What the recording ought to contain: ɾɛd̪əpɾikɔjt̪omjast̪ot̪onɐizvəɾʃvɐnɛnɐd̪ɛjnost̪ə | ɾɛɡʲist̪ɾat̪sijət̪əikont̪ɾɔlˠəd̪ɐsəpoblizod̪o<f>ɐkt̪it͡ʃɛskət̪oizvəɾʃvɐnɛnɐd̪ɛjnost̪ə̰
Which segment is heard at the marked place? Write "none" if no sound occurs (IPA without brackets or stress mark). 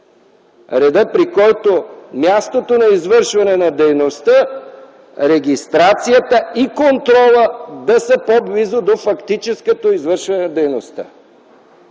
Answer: f